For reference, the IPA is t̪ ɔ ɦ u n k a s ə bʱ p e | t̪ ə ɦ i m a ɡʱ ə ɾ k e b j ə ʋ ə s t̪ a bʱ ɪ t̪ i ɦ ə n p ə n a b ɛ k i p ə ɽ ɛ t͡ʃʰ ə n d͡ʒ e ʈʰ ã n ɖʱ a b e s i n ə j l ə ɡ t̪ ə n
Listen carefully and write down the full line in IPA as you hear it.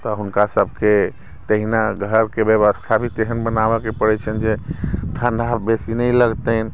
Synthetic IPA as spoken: t̪ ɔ ɦ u n k a s ə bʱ k e | t̪ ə ɦ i n a ɡʱ ə ɾ k e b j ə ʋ ə s t̪ʰ a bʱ i t̪ e ɦ ə n b ə n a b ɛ k e p ə ɽ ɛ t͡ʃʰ ə n d͡ʒ e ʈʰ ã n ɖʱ a b e s i n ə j l ə ɡ t̪ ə n